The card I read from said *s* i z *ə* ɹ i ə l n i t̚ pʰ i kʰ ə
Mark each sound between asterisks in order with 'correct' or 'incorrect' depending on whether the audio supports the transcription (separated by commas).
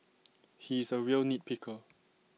incorrect, correct